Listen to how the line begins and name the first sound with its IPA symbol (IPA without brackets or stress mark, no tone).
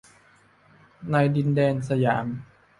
n